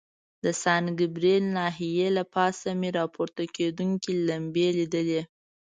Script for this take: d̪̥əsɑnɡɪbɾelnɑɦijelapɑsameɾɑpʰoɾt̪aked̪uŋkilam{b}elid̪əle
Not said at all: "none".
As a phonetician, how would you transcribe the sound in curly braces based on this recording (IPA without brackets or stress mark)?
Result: b